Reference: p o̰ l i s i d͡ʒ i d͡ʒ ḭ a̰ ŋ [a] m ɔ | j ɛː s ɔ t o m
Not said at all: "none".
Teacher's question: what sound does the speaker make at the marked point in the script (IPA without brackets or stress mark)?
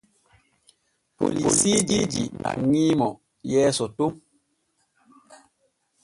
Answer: i